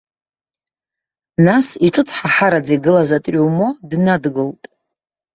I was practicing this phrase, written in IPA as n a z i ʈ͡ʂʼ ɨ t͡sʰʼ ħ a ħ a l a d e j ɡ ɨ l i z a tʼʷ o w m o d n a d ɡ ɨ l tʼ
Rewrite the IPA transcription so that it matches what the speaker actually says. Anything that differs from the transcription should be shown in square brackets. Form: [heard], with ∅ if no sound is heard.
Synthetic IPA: n a [s] i ʈ͡ʂʼ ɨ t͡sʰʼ ħ a ħ a [ɾ] a [d͡z] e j ɡ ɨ l [a] z a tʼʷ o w m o d n a d ɡ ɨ l tʼ

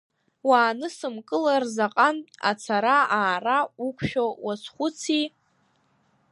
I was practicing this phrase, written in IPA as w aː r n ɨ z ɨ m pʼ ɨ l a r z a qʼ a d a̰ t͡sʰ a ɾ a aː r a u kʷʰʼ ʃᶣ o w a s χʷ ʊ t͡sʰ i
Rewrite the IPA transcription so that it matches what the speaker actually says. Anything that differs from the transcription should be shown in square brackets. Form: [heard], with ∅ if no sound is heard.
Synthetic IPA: w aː [∅] n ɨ [s] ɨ m [kʼ] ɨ l a r z a qʼ a [n] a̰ t͡sʰ a ɾ a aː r a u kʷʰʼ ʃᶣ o w a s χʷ ʊ t͡sʰ i

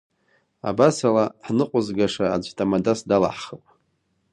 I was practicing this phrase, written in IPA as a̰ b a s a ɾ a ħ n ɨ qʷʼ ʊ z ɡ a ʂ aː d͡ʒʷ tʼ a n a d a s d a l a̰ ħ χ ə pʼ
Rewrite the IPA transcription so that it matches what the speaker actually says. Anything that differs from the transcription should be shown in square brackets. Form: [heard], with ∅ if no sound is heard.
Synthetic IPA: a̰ b a s a [l] a ħ n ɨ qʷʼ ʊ z ɡ a ʂ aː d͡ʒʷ tʼ a [m] a d a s d a l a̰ ħ χ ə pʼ

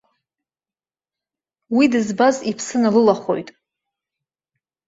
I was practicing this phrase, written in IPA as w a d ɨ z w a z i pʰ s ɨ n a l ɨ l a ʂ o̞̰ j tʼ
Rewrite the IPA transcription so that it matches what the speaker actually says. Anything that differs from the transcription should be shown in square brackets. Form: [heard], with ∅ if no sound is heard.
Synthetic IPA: w [i] d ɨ z [b] a z i pʰ s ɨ n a l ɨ l a [χ] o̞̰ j tʼ

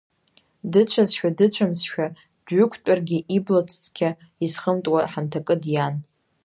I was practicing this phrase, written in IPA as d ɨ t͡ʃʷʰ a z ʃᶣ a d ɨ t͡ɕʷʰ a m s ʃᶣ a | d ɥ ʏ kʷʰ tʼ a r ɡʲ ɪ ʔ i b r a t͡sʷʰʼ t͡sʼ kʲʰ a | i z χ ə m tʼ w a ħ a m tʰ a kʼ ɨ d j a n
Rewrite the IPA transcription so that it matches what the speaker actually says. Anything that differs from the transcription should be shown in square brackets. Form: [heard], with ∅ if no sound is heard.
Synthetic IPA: d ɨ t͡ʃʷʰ a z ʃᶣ a d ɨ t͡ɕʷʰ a m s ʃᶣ a | d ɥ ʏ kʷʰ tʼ a r ɡʲ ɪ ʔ i b [l] a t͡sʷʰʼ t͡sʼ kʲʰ a | i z χ ə m tʼ w a ħ a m tʰ a kʼ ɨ d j a n

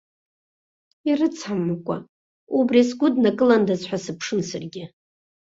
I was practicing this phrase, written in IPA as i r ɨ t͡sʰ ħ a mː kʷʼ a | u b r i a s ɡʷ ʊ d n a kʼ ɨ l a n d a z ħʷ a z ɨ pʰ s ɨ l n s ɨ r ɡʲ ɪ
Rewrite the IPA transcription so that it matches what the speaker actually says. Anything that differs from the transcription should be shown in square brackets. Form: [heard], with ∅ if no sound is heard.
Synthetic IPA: i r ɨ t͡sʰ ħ a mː kʷʼ a | u b r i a s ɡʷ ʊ d n a kʼ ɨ l a n d a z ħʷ a [s] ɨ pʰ [ʂ] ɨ [∅] n s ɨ r ɡʲ ɪ

